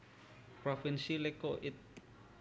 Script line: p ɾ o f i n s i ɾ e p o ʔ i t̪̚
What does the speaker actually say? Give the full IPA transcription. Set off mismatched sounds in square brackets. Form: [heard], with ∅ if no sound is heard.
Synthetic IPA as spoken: p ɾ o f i n s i [l] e [k] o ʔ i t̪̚